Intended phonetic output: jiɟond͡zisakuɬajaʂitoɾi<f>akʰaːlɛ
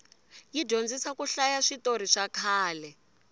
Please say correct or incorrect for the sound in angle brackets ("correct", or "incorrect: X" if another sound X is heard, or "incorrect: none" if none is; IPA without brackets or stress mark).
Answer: incorrect: ʂ